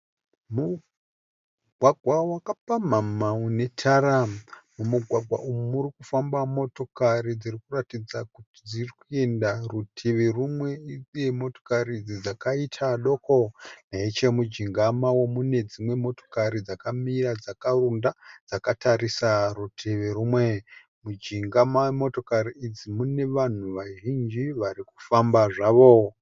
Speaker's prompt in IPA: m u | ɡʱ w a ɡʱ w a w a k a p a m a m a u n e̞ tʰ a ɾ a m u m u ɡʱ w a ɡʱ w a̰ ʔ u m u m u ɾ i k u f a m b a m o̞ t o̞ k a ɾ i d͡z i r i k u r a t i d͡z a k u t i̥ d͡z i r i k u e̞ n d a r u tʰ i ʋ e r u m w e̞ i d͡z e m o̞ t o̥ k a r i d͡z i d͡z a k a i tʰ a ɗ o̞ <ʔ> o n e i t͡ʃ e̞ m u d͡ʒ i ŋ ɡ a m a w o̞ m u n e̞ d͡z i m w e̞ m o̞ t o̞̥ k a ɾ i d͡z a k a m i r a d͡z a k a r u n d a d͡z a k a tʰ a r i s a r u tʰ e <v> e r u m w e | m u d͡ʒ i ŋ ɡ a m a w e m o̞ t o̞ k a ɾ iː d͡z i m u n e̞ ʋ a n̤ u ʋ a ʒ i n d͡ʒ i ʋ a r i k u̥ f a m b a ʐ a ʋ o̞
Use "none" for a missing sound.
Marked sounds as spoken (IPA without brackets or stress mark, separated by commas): k, ʋ